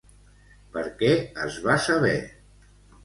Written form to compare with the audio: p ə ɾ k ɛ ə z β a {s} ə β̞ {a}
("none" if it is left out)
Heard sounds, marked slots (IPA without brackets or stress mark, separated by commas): s, ɛ